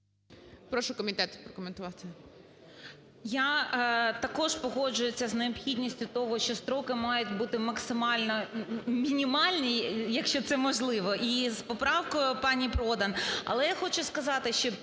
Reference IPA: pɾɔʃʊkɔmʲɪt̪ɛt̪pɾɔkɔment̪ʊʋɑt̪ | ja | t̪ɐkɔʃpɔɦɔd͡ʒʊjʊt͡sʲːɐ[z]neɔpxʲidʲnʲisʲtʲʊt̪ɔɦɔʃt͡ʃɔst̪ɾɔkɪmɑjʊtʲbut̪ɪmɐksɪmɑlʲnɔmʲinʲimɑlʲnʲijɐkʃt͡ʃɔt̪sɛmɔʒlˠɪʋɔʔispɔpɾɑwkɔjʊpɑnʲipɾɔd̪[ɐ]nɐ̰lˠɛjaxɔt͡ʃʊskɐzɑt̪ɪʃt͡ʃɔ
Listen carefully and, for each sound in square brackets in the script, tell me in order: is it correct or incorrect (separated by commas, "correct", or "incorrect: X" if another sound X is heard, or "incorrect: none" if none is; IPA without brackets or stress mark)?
correct, correct